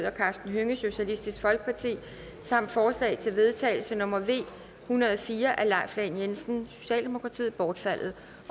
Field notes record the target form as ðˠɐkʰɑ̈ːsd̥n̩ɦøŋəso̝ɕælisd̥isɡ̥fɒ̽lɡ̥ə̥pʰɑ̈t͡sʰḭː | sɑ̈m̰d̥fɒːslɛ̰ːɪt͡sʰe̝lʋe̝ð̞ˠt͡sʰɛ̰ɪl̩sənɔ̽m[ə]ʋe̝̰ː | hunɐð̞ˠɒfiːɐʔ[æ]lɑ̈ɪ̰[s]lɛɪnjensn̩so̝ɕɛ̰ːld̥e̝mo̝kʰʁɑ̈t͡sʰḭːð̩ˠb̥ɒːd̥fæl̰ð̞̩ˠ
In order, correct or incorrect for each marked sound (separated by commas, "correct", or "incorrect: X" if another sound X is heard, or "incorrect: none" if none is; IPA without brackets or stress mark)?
incorrect: ɐ, correct, incorrect: f